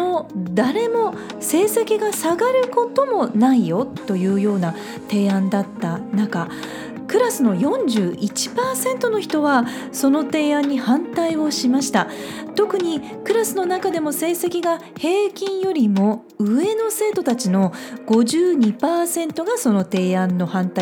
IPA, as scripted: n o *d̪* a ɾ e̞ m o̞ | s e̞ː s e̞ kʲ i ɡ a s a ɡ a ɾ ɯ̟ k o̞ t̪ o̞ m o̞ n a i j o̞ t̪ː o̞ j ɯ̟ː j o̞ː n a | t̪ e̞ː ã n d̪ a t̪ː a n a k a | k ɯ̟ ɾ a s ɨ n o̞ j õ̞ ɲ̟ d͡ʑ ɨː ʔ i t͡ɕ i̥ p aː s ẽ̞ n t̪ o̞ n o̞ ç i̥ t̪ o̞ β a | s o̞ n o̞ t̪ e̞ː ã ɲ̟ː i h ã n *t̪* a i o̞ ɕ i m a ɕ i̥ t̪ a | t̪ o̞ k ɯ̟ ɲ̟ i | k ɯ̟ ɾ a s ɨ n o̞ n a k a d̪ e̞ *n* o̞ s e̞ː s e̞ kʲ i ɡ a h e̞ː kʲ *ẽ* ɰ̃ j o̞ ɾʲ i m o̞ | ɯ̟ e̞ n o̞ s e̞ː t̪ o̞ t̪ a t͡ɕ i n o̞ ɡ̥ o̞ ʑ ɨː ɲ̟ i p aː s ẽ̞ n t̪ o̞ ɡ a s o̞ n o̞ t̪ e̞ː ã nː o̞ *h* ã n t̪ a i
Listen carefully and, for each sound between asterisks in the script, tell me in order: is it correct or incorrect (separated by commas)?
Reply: correct, correct, incorrect, incorrect, correct